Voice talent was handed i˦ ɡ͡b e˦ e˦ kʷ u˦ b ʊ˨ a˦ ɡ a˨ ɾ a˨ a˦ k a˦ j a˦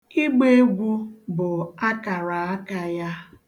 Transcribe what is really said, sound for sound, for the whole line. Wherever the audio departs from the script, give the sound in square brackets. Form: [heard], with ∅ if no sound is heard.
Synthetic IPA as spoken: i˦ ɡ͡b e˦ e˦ [ɡʷ] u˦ b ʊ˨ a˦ [k] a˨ ɾ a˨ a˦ k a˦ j a˦